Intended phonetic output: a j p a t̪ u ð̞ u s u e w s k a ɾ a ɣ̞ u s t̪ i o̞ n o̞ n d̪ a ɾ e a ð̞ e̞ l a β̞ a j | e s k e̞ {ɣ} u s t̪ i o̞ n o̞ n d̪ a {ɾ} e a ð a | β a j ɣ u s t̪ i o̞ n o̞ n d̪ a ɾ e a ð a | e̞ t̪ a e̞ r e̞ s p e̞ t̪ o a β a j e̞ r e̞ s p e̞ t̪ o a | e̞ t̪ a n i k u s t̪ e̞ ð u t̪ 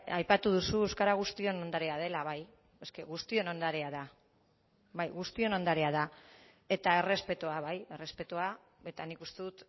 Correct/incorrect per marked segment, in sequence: correct, correct

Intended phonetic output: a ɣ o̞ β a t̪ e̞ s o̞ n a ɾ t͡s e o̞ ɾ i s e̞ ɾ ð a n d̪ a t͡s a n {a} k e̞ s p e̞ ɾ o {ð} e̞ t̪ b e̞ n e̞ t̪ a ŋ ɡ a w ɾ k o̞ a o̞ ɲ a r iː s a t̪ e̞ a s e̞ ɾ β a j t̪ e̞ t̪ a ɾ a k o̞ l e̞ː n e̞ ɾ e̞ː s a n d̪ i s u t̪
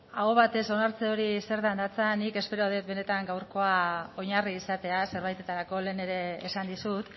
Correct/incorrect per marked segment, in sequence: incorrect: i, correct

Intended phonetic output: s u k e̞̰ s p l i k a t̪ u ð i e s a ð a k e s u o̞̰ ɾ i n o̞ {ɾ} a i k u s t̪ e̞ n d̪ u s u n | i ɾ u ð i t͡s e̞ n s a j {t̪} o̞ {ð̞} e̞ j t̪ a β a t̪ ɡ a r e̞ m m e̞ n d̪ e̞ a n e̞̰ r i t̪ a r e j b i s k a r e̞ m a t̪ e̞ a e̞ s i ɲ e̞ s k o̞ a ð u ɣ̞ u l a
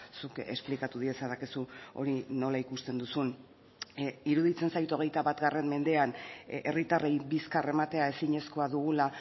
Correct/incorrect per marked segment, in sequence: incorrect: l, correct, incorrect: ɣ̞

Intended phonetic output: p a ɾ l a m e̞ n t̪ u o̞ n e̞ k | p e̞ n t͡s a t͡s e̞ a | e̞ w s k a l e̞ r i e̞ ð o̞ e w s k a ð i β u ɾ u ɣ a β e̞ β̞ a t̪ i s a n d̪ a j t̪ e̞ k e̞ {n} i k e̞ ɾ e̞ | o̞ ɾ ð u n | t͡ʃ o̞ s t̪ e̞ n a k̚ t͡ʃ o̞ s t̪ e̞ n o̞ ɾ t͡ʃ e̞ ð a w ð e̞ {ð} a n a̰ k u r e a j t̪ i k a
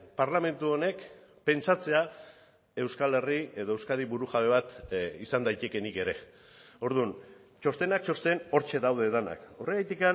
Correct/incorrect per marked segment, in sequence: correct, correct

